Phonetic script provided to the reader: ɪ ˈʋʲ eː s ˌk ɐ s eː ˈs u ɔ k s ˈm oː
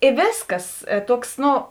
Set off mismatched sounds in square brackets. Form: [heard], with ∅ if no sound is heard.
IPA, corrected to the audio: ɪ ˈʋʲ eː s ˌk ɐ s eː [ˈt] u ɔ k s [ˈn] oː